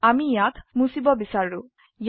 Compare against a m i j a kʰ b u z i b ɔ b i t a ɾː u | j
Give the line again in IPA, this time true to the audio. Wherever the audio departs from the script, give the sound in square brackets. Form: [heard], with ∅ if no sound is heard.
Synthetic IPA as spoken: a m i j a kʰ [m] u [s] i b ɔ b i [s] a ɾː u | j